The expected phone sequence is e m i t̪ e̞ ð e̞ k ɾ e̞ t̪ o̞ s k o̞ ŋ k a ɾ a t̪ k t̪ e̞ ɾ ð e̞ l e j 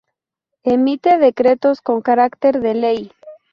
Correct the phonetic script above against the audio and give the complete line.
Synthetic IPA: e m i t̪ e̞ ð e̞ k ɾ e̞ t̪ o̞ s k o̞ ŋ k a ɾ a k t̪ e̞ ɾ ð e̞ l e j